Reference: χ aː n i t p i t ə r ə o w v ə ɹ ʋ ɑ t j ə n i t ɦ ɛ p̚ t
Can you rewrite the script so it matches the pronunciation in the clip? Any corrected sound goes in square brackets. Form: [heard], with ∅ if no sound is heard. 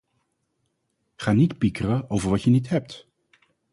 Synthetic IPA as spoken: χ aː n i t p i [k] ə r ə o w v ə ɹ ʋ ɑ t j ə n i t ɦ ɛ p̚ t